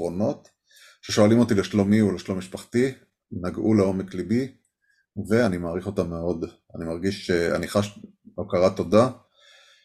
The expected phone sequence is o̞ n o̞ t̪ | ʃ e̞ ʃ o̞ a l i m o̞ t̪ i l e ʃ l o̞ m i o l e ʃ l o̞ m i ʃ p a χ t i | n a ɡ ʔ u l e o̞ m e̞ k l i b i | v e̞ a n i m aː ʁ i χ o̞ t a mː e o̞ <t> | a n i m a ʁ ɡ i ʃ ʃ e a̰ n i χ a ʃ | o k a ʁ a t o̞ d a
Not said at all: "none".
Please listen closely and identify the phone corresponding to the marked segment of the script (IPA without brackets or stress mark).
d